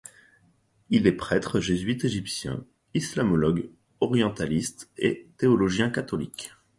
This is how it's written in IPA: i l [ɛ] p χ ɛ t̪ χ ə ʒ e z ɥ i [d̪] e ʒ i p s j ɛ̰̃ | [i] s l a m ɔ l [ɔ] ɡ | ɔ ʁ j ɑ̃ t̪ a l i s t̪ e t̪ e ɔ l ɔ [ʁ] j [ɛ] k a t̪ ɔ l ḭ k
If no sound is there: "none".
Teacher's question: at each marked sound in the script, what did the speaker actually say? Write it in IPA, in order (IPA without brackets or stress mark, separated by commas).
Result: ɛ, t̪, i, ɔ, ʒ, ɛ̃